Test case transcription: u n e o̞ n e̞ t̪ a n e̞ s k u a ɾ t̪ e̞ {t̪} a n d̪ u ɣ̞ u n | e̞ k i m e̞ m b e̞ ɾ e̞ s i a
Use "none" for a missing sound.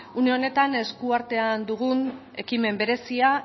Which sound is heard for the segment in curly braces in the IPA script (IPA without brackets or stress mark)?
none